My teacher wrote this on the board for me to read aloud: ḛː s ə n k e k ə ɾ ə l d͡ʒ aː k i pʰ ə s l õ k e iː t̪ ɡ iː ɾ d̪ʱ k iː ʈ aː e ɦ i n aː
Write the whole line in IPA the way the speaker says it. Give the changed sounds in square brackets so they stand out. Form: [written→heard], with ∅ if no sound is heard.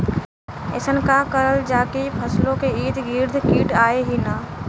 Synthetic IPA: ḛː s ə n k [e→a] k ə ɾ ə l d͡ʒ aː k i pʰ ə s l õ k e iː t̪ ɡ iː ɾ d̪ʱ k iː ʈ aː e ɦ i n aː